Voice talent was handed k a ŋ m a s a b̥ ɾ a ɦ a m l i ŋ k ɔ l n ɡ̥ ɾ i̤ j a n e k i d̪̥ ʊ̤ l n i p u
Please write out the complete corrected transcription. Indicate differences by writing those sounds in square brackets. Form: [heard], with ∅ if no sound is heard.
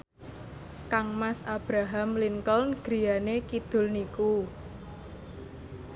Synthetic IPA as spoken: k a ŋ m a s a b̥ ɾ a ɦ a m l i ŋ k ɔ l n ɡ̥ ɾ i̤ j a n e k i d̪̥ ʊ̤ l n i [k] u